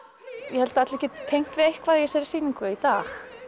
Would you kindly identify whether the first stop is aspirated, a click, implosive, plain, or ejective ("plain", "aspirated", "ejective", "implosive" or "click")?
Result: plain